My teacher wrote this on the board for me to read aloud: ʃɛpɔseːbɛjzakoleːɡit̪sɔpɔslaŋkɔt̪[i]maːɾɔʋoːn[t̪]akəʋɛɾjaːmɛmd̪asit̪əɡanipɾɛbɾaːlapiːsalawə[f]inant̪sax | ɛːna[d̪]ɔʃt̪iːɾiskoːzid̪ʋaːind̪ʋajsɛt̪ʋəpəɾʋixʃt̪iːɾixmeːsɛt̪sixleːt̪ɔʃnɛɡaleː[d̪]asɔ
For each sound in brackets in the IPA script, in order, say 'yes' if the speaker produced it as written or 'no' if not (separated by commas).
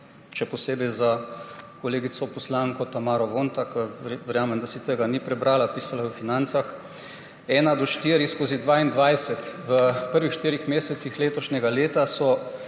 no, yes, yes, yes, no